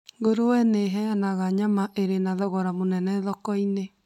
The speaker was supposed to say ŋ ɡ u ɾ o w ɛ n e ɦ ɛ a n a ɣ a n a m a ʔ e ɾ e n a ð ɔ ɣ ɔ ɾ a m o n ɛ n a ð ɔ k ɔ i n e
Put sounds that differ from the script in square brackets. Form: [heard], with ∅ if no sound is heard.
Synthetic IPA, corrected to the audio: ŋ ɡ [o] ɾ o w ɛ n e ɦ ɛ a n a ɣ a [ɲ] a m a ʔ e ɾ e n a ð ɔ ɣ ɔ ɾ a m o n ɛ n [ɛ] ð ɔ k ɔ i n e